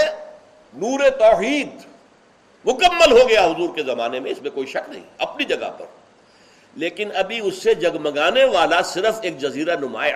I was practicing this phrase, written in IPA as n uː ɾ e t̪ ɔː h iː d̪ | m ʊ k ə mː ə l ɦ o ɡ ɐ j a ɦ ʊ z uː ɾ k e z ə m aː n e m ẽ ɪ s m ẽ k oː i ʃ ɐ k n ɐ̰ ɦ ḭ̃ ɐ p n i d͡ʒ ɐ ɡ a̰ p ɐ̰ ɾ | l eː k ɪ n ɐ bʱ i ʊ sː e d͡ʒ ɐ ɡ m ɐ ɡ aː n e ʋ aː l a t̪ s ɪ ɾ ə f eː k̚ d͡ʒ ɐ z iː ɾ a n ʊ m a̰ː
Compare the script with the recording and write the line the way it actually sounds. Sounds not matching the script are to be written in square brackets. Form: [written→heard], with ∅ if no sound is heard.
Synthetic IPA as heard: n uː ɾ e t̪ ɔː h iː d̪ | m ʊ k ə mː ə l ɦ o ɡ ɐ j a ɦ ʊ z uː ɾ k e z [ə→ɐ] m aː n e m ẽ ɪ s m ẽ k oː i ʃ ɐ k n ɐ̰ ɦ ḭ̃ ɐ p n i d͡ʒ ɐ ɡ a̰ p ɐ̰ ɾ | l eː k ɪ n ɐ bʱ i ʊ sː e d͡ʒ ɐ ɡ m ɐ ɡ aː n e ʋ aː l a [t̪→∅] s ɪ ɾ ə f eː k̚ d͡ʒ ɐ z iː ɾ a n ʊ m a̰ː